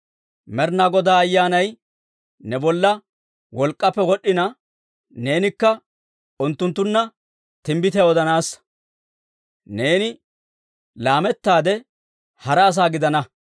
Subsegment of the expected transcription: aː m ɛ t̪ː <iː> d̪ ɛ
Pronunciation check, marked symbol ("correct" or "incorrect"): incorrect